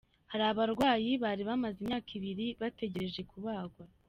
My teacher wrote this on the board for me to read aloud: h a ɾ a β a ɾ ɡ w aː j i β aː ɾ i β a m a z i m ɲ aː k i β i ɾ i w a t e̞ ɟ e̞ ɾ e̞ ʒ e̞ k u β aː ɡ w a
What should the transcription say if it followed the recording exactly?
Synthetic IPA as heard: h a ɾ a β a ɾ ɡ w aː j i β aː ɾ i β a m a z i m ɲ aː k i β i ɾ i β a t e̞ ɟ e̞ ɾ e̞ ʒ e̞ k u β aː ɡ w a